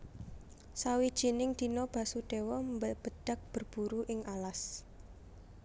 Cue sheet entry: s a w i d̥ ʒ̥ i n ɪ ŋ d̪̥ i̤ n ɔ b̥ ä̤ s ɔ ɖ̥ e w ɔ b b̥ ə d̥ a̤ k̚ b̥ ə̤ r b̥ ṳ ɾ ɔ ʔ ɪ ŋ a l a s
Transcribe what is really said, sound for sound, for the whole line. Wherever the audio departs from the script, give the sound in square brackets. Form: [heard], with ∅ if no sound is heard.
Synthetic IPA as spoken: s a w i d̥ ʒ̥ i n ɪ ŋ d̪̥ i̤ n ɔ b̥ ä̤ s [u] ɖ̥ e w ɔ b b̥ ə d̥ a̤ k̚ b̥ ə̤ r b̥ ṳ ɾ [u] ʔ ɪ ŋ a l a s